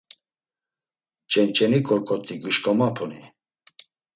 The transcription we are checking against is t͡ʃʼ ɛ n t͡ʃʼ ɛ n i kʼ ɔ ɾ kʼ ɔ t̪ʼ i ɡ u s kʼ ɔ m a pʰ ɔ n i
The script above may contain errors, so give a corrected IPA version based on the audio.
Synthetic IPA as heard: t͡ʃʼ ɛ n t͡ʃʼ ɛ n i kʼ ɔ ɾ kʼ ɔ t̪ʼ i ɡ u ʃ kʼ ɔ m a pʰ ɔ n i